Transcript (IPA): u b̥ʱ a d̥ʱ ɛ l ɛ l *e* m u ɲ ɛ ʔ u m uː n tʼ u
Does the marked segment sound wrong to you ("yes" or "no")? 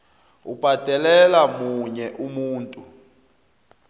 yes